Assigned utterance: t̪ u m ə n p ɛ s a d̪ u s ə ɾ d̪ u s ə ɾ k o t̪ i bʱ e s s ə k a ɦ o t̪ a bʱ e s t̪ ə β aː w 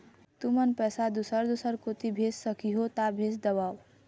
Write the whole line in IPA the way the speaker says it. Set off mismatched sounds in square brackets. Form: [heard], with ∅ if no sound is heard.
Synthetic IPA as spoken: t̪ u m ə n p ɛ s a d̪ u s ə ɾ d̪ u s ə ɾ k o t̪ i bʱ e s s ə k [i] ɦ o t̪ a bʱ e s [d̪] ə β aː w